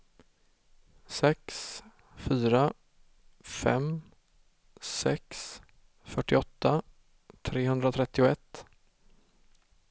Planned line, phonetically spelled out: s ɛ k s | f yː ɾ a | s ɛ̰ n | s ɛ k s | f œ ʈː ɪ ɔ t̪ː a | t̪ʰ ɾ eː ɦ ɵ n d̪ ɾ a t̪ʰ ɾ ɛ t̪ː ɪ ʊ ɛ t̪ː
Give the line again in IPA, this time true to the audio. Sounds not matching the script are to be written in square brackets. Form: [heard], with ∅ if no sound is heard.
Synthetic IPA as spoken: s ɛ k s | f yː ɾ a | [f] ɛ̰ [m] | s ɛ k s | f œ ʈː ɪ ɔ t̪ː a | t̪ʰ ɾ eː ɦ ɵ n d̪ ɾ a t̪ʰ ɾ ɛ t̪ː ɪ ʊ ɛ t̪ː